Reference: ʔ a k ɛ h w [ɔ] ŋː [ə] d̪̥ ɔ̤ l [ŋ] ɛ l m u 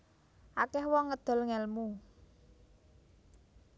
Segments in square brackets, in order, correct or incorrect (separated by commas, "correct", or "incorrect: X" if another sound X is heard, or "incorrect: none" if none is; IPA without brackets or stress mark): correct, correct, correct